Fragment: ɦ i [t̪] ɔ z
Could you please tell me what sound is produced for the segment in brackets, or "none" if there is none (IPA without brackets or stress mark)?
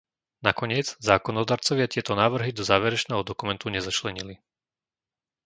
d̪